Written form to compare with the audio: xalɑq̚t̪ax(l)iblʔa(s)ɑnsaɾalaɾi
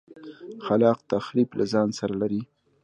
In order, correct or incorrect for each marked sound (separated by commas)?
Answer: incorrect, incorrect